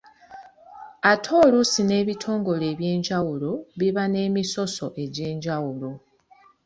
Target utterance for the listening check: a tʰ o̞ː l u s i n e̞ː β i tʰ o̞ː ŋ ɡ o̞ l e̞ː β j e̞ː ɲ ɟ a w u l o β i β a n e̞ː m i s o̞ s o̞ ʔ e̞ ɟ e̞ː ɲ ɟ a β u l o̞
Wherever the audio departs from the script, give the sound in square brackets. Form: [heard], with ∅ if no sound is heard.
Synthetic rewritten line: a tʰ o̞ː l u s i n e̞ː β i tʰ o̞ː ŋ ɡ o̞ l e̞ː β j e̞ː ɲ ɟ a w u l o β i β a n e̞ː m i s o̞ s o̞ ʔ e̞ ɟ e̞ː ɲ ɟ a [w] u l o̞

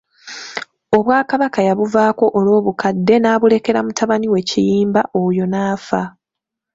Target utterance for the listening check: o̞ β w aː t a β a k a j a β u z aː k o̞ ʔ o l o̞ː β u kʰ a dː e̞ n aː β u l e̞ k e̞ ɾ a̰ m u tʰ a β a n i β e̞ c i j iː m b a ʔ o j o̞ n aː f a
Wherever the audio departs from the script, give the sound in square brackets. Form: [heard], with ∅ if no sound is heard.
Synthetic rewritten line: o̞ β w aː [k] a β a k a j a β u [v] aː k o̞ ʔ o l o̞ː β u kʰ a dː e̞ n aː β u l e̞ k e̞ ɾ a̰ m u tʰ a β a n i [w] e̞ c i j iː m b a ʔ o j o̞ n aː f a

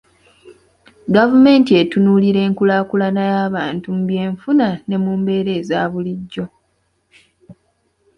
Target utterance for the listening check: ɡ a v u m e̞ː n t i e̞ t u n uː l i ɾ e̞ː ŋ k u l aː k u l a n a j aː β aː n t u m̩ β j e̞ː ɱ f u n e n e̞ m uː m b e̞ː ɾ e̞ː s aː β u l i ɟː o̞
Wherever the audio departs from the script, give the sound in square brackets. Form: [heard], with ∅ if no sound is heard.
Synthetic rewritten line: ɡ a v u m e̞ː n t i e̞ t u n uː l i ɾ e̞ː ŋ k u l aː k u l a n a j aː β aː n t u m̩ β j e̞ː ɱ f u n [a] n e̞ m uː m b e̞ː ɾ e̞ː [z] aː β u l i ɟː o̞

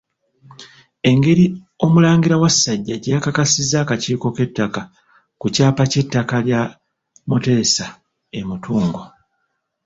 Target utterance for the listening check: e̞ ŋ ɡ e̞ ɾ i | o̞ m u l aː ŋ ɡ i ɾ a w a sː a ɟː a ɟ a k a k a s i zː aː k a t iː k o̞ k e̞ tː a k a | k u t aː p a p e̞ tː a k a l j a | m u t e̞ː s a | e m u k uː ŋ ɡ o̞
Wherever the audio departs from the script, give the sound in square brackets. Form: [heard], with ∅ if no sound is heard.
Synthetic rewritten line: e̞ ŋ ɡ e̞ ɾ i | o̞ m u l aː ŋ ɡ i ɾ a w a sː a ɟː a ɟ a k a k a s i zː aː k a [c] iː k o̞ k e̞ tː a k a | k u [c] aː p a [c] e̞ tː a k a l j a | m u t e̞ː s a | e m u [t] uː ŋ ɡ o̞

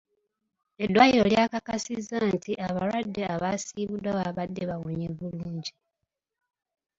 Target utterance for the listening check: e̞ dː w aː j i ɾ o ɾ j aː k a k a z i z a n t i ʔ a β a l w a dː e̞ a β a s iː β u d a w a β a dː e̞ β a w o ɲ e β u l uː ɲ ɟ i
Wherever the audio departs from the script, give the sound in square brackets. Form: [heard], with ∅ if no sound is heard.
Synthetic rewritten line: e̞ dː w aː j i ɾ o [l] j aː k a k a [s] i z a n t i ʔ a β a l w a dː e̞ a β a s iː β u d a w a β a dː e̞ β a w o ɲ e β u l uː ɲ ɟ i

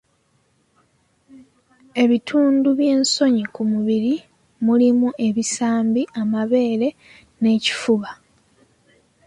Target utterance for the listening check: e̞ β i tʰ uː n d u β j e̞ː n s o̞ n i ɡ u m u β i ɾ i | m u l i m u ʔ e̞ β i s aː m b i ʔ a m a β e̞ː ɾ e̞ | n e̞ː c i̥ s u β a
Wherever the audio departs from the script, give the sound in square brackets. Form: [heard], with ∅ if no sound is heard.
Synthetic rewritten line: e̞ β i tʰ uː n d u β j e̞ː n s o̞ [ɲ] i [k] u m u β i ɾ i | m u l i m u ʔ e̞ β i s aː m b i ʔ a m a β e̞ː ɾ e̞ | n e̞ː c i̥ [f] u β a

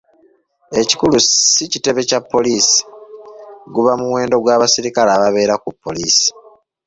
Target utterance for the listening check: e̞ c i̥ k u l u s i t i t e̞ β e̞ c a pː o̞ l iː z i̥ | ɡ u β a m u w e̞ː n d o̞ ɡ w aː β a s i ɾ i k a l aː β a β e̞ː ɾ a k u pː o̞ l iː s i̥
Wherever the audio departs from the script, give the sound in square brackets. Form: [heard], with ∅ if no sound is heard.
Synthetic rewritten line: e̞ c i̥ k u l u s i [c] i t e̞ β e̞ c a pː o̞ l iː [s] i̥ | ɡ u β a m u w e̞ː n d o̞ ɡ w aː β a s i ɾ i k a l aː β a β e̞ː ɾ a k u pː o̞ l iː s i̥

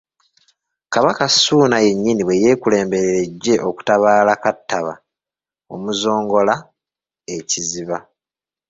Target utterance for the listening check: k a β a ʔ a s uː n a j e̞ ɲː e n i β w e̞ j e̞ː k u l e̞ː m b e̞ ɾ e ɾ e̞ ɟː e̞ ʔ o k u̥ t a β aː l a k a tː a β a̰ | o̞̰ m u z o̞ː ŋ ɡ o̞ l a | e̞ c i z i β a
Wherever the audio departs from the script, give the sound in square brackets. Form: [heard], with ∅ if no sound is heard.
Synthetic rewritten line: k a β a [k] a s uː n a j e̞ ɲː [i] n i β w e̞ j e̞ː k u l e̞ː m b e̞ ɾ e ɾ e̞ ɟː e̞ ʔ o k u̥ t a β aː l a k a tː a β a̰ | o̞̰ m u z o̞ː ŋ ɡ o̞ l a | e̞ c i z i β a

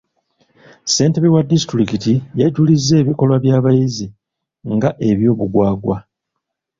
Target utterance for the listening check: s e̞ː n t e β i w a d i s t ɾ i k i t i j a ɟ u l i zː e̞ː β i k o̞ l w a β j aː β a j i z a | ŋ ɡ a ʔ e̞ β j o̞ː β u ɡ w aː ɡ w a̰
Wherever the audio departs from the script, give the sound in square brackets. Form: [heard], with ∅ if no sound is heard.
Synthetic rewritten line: s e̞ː n t e β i w a d i s t ɾ i k i t i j a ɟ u l i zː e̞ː β i k o̞ l w a β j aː β a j i z [i] | ŋ ɡ a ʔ e̞ β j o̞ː β u ɡ w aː ɡ w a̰

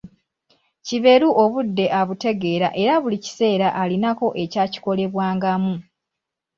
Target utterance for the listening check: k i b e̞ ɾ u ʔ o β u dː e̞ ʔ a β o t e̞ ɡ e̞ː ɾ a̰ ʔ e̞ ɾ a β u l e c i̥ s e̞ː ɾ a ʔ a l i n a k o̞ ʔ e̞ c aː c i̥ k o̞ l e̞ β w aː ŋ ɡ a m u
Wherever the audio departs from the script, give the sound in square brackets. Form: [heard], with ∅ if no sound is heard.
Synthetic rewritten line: [c] i [β] e̞ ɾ u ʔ o β u dː e̞ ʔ a β [u] t e̞ ɡ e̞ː ɾ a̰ ʔ e̞ ɾ a β u l [i] c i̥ s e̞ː ɾ a ʔ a l i n a k o̞ ʔ e̞ c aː c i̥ k o̞ l e̞ β w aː ŋ ɡ a m u

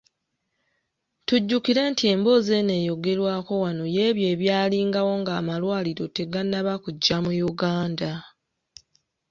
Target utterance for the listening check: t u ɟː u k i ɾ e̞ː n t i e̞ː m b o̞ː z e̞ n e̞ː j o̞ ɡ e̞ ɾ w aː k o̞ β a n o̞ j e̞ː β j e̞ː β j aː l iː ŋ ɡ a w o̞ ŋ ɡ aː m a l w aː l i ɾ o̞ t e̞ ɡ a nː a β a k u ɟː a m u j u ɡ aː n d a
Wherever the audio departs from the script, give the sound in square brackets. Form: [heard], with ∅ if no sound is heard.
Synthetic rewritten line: t u ɟː u k i ɾ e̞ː n t i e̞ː m b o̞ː z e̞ n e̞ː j o̞ ɡ e̞ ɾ w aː k o̞ [w] a n o̞ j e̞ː β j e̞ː β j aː l iː ŋ ɡ a w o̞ ŋ ɡ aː m a l w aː l i ɾ o̞ t e̞ ɡ a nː a β a k u ɟː a m u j u ɡ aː n d a

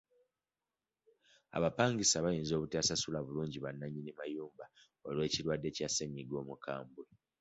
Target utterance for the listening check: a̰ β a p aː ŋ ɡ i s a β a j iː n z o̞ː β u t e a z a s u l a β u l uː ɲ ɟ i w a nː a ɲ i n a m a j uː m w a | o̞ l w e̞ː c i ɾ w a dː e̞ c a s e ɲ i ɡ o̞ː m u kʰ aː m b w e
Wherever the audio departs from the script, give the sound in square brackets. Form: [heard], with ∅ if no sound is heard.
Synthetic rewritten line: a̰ β a p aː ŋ ɡ i s a β a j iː n z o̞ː β u t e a [s] a s u l a β u l uː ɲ ɟ i [β] a nː a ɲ i n [i] m a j uː m [b] a | o̞ l w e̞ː c i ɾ w a dː e̞ c a s e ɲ i ɡ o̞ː m u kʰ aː m b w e

